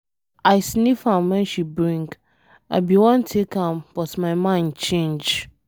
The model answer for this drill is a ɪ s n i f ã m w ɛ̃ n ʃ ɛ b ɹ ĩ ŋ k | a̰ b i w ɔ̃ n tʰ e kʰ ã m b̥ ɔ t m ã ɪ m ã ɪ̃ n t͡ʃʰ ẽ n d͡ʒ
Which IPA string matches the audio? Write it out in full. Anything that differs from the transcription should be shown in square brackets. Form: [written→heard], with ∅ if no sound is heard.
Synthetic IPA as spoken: a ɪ s n i f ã m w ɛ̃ n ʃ [ɛ→i] b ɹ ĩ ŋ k | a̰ b i w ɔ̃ n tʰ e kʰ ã m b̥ ɔ t m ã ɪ m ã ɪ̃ n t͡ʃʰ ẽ n d͡ʒ